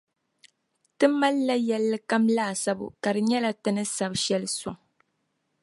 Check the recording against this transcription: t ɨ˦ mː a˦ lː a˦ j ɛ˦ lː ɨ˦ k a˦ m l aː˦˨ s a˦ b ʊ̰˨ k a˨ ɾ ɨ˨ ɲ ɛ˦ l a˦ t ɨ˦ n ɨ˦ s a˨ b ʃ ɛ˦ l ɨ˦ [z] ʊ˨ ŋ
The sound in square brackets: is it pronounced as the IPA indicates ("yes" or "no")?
no